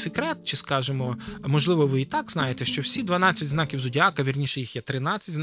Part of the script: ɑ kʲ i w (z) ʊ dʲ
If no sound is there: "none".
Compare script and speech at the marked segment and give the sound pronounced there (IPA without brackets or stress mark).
z